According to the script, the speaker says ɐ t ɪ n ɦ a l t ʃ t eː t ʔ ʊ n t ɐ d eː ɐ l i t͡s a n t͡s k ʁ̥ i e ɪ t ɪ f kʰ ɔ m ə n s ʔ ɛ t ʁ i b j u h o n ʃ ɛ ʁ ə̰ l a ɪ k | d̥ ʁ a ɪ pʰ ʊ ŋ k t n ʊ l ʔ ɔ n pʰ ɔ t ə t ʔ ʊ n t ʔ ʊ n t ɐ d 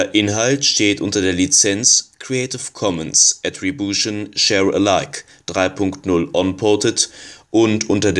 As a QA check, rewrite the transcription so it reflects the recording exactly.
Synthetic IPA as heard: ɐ ʔ ɪ n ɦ a l t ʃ t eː t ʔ ʊ n t ɐ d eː ɐ l i t͡s ɛ n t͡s k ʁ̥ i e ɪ t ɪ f kʰ ɔ m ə n s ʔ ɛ t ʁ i b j u ʃ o n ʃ ɛ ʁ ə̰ l a ɪ k | d̥ ʁ a ɪ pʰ ʊ ŋ k t n ʊ l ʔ ɔ n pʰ ɔ t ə t ʔ ʊ n t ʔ ʊ n t ɐ d